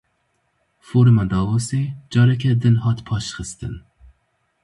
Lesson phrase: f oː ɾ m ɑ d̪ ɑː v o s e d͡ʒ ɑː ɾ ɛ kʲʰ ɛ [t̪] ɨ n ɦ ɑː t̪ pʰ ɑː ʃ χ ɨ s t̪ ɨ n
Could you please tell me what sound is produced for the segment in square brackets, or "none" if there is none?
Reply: d̪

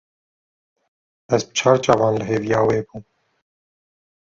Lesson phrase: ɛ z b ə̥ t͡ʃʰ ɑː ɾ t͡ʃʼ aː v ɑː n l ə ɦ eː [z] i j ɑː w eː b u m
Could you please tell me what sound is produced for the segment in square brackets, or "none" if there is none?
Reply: v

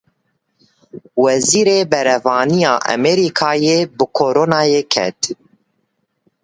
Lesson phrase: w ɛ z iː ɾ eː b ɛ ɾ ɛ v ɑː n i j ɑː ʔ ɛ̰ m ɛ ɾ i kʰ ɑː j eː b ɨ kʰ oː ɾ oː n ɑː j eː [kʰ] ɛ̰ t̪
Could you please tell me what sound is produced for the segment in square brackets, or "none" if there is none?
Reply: kʰ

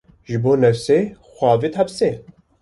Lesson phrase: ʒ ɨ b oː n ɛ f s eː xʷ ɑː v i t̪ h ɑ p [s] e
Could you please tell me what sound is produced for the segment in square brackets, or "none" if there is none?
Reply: s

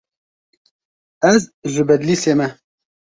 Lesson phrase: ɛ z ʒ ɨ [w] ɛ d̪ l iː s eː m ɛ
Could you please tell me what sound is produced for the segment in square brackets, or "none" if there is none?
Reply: b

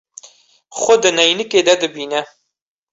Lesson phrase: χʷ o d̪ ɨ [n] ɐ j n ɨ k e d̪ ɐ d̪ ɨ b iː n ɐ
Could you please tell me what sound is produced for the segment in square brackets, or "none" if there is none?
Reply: n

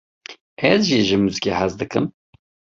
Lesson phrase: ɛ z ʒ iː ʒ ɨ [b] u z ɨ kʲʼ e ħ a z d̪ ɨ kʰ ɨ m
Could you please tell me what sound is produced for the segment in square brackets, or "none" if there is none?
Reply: m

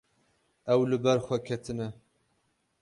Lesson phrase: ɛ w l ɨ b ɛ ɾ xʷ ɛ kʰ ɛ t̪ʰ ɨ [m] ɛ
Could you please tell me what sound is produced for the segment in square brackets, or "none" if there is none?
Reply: n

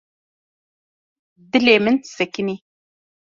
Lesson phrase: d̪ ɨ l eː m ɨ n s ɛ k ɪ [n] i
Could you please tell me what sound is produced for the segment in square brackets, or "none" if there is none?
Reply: n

